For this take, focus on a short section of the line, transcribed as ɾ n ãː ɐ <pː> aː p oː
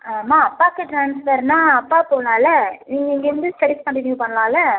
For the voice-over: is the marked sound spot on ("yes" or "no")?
yes